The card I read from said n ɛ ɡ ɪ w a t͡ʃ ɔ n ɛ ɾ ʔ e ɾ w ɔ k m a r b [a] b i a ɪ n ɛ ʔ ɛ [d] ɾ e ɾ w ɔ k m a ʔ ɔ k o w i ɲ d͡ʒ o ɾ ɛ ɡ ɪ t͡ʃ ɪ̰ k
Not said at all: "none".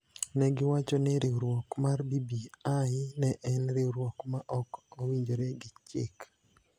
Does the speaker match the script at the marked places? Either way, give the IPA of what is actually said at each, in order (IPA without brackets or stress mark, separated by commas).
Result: i, n